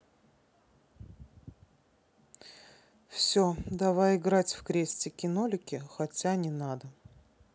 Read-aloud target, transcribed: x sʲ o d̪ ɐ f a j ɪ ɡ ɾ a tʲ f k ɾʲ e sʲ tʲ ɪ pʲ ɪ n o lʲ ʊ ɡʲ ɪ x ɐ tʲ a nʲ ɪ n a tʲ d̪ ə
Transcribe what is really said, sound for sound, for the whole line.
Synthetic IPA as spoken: f sʲ o d̪ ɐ v a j ɪ ɡ ɾ a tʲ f k ɾʲ e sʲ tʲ ɪ kʲ ɪ n o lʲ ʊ kʲ ɪ x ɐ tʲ a nʲ ɪ n a d̪ ə